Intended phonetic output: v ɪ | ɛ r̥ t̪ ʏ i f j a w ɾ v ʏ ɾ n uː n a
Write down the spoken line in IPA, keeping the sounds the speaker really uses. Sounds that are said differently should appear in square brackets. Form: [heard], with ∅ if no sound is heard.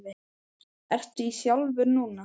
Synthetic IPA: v ɪ | ɛ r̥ t̪ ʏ i [s] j a w [l] v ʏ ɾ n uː n a